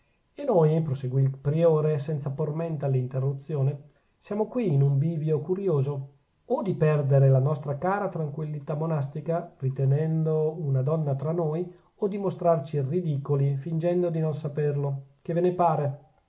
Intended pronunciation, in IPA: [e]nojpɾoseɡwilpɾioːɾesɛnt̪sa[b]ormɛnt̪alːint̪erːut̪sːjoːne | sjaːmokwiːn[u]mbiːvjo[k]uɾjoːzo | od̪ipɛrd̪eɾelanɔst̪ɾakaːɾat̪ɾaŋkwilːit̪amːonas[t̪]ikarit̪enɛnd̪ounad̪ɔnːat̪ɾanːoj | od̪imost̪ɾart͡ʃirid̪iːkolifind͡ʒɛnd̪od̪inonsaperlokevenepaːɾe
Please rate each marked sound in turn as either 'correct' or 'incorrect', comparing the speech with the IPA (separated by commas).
correct, incorrect, correct, correct, correct